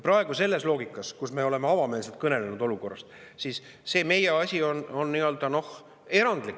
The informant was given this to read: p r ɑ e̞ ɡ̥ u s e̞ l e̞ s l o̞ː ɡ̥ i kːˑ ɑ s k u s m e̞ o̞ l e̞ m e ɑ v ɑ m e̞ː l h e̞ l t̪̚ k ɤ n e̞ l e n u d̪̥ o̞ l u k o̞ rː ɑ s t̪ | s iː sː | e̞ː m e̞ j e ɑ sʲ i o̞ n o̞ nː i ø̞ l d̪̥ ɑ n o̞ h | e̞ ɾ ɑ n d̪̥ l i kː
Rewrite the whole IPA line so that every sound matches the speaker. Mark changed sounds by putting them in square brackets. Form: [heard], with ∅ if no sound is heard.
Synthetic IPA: p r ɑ e̞ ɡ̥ u s e̞ [lː] e̞ s l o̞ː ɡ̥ i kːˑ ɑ s k u s m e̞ o̞ l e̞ m e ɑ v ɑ m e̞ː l [s] e̞ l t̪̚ k ɤ n e̞ l e n u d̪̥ o̞ l u k o̞ rː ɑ s t̪ | s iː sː | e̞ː m e̞ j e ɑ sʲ i o̞ n o̞ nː i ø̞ l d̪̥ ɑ n o̞ h | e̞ ɾ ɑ n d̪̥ l i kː